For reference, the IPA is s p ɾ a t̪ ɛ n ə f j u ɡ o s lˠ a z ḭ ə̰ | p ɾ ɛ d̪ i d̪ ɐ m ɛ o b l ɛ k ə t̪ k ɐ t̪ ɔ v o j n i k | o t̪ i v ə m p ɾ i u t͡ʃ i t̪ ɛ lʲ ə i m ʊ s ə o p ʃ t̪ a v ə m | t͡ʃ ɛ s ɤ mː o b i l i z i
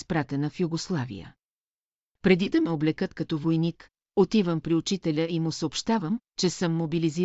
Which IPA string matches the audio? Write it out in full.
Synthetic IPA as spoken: s p ɾ a t̪ ɛ n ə f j u ɡ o s lˠ a v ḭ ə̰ | p ɾ ɛ d̪ i d̪ ɐ m ɛ o b l ɛ k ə t̪ k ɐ t̪ ɔ v o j n i k | o t̪ i v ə m p ɾ i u t͡ʃ i t̪ ɛ lʲ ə i m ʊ s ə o p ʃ t̪ a v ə m | t͡ʃ ɛ s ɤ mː o b i l i z i